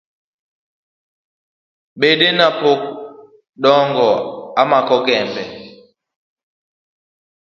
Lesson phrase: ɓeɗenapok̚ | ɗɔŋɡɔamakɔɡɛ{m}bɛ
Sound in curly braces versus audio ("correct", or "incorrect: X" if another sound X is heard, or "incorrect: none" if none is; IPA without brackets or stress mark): correct